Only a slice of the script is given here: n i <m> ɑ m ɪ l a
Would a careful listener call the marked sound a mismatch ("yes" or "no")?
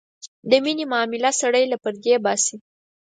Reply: no